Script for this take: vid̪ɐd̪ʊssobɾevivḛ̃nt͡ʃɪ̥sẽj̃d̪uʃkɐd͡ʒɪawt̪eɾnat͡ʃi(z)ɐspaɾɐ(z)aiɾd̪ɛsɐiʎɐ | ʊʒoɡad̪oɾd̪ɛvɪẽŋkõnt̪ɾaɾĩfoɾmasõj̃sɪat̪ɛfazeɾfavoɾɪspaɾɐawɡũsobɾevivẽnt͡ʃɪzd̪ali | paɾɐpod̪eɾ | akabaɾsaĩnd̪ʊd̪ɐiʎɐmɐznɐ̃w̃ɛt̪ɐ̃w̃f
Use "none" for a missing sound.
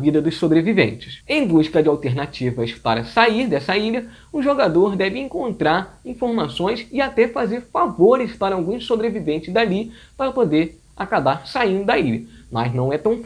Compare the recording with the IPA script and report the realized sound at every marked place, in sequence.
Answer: v, s

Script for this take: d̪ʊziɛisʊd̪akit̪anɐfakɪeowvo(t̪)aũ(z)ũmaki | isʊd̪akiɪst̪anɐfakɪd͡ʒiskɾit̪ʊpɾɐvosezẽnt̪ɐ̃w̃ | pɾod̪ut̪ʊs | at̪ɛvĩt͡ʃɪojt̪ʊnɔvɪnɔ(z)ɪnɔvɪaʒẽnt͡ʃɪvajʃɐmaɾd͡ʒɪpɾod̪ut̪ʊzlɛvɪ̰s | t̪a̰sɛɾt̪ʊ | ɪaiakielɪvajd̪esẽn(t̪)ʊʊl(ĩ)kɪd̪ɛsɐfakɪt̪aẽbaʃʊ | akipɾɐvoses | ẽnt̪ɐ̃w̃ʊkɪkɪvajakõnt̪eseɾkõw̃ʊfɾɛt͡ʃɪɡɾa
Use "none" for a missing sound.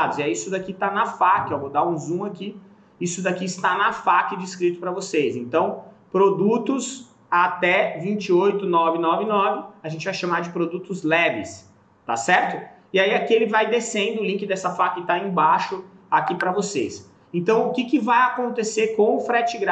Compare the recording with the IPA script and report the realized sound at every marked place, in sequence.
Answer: d̪, z, v, d̪, ĩ

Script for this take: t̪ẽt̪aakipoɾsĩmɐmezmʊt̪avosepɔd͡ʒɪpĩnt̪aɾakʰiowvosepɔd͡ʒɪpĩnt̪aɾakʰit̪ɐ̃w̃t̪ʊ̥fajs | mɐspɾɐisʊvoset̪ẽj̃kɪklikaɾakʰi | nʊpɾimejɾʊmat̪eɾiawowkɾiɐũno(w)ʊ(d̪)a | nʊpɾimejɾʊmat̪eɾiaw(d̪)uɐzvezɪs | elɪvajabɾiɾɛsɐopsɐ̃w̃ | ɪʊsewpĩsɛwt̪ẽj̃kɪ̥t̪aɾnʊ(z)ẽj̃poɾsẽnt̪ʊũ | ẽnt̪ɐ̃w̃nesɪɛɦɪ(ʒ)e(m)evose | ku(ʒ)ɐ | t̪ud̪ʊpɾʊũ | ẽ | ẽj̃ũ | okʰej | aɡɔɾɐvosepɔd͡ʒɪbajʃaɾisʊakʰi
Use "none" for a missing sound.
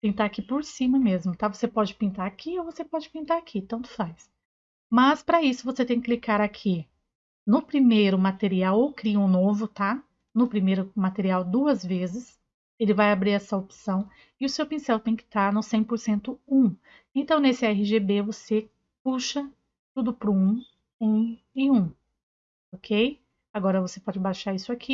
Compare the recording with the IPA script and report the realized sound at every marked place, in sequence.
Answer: v, t̪, d̪, s, ʒ, b, ʃ

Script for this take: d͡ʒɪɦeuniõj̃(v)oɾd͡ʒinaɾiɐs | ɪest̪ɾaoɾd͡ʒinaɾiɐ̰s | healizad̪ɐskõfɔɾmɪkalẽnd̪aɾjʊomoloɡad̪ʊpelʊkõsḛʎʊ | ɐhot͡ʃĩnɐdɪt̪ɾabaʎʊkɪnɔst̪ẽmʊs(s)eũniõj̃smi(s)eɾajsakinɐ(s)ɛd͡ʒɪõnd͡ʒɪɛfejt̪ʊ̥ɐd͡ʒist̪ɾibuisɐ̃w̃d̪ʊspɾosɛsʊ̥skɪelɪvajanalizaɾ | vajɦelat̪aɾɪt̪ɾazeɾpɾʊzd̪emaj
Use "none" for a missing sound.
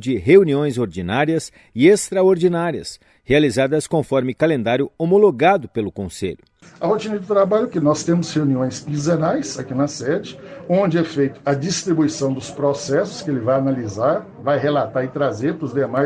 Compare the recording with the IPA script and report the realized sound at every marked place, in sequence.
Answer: z, h, z, s

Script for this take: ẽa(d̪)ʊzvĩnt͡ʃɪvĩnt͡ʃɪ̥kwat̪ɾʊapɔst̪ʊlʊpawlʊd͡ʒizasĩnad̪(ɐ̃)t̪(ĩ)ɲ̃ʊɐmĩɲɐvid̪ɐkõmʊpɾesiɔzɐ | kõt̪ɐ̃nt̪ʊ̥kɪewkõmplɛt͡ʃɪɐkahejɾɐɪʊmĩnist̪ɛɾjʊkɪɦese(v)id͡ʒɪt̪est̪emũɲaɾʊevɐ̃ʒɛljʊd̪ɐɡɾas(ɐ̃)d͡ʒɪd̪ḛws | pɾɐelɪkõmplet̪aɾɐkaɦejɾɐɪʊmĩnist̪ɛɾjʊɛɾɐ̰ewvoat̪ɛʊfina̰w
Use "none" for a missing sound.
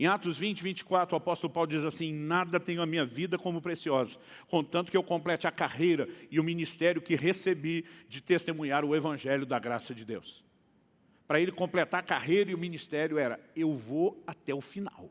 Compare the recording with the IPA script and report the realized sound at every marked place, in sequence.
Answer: t̪, ɐ, ẽ, b, ɐ

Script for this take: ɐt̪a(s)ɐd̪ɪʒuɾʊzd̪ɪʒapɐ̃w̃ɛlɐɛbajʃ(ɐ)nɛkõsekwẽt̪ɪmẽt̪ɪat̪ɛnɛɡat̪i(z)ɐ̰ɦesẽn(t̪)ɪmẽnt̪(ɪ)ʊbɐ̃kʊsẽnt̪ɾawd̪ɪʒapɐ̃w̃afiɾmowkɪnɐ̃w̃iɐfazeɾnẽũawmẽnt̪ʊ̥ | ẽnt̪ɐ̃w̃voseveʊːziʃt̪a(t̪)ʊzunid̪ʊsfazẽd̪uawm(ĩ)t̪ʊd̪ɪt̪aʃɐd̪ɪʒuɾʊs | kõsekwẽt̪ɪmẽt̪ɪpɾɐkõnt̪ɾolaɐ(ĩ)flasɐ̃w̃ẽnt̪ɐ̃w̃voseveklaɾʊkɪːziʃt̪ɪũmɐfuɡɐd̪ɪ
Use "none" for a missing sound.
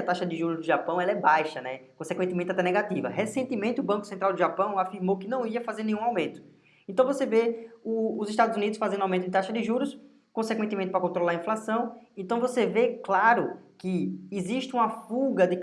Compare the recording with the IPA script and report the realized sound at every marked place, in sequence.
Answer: ʃ, ɐ, v, t̪, ɪ, d̪, ẽ, ĩ

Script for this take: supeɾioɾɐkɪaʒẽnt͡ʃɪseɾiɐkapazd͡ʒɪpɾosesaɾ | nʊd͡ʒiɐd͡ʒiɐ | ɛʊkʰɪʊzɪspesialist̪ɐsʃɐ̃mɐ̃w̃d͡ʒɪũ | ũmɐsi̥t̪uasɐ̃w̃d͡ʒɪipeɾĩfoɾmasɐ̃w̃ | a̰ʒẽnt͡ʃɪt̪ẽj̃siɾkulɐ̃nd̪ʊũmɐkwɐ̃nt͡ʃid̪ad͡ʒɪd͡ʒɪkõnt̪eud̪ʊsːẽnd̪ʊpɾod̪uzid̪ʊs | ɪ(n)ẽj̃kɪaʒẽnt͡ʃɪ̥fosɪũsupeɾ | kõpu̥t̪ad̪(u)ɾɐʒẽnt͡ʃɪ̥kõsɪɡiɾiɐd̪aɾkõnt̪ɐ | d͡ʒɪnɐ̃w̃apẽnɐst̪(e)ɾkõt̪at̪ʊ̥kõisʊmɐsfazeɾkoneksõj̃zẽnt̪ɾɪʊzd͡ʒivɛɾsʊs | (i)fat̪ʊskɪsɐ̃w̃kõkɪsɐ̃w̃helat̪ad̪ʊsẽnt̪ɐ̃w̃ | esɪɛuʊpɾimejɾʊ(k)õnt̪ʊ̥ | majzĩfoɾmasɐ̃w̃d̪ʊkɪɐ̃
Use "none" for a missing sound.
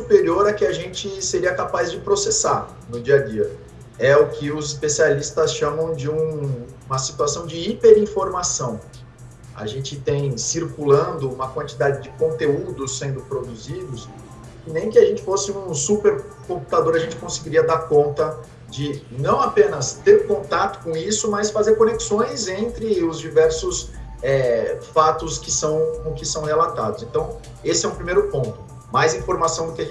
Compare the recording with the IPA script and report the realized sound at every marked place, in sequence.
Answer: n, o, e, ɛ, p

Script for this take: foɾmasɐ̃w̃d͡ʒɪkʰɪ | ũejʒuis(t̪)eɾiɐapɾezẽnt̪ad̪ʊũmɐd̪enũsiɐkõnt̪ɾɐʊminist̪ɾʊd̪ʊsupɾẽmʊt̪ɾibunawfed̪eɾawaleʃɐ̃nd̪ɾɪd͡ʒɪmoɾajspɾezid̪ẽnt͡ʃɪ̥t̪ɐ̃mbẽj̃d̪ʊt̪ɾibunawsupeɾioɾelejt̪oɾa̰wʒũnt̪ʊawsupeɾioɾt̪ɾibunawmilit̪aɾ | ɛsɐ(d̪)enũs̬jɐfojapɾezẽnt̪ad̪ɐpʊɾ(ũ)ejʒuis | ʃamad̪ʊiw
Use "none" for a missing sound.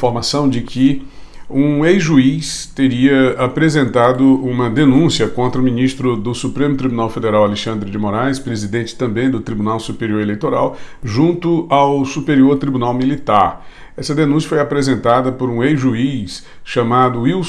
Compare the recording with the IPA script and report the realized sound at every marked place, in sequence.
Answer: t̪, d̪, ũ

